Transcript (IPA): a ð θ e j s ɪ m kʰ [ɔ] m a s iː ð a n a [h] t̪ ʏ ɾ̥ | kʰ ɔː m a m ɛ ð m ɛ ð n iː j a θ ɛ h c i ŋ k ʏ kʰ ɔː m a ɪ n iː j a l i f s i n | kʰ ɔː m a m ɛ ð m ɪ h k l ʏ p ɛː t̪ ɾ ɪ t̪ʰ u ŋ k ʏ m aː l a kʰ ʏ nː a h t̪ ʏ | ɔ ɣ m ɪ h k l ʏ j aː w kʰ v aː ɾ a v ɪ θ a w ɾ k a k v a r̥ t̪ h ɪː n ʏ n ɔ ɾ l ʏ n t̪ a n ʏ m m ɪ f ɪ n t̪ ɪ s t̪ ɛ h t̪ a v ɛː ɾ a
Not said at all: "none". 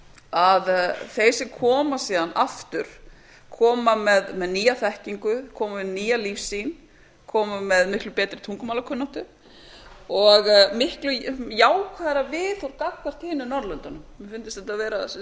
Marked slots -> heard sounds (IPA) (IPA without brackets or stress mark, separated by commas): ɔː, f